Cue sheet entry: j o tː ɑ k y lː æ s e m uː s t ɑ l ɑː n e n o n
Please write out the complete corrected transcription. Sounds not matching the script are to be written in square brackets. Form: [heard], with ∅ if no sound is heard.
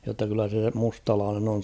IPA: j o tː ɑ k y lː æ s e m [u] s t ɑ l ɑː n e n o n